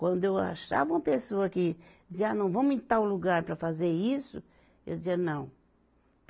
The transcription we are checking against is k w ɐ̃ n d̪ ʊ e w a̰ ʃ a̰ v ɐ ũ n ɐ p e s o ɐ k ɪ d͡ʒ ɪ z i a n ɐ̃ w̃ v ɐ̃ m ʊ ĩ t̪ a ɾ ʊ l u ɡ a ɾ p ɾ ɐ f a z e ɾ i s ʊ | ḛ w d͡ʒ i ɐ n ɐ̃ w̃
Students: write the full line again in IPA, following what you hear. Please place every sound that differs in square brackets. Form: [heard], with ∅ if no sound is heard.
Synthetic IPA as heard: k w ɐ̃ n d̪ ʊ e w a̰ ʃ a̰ v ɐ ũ [m] ɐ p e s o ɐ k ɪ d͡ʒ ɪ z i a n ɐ̃ w̃ v ɐ̃ m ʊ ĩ t̪ a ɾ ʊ l u ɡ a ɾ p ɾ ɐ f a z e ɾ i s ʊ | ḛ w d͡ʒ i ɐ n ɐ̃ w̃